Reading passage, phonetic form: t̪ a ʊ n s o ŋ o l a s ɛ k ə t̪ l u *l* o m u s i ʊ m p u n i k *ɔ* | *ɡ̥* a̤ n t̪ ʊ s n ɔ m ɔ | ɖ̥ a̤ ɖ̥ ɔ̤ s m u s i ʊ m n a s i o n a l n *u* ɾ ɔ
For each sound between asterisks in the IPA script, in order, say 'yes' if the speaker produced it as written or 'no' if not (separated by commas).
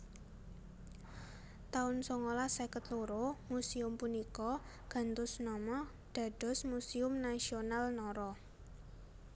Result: no, yes, yes, no